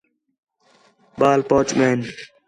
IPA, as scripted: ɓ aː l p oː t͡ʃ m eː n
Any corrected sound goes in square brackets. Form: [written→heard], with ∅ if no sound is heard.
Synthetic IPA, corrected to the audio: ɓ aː l p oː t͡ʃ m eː n